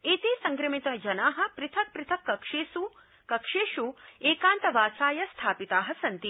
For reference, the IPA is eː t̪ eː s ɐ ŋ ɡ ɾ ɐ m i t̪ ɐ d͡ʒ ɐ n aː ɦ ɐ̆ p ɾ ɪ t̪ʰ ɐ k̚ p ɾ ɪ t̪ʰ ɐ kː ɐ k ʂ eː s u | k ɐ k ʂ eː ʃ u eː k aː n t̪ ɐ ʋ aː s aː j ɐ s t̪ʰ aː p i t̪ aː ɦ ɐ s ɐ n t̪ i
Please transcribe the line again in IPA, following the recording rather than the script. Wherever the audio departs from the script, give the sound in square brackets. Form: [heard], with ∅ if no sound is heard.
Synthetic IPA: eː t̪ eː s ɐ ŋ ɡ ɾ ɐ m i t̪ ɐ d͡ʒ ɐ n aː ɦ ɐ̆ p ɾ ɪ t̪ʰ ɐ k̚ p ɾ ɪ t̪ʰ ɐ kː ɐ k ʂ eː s u | k ɐ k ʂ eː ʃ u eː k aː n t̪ ɐ ʋ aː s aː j ɐ s t̪ʰ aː p i t̪ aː ɦ ɐ s ɐ n t̪ i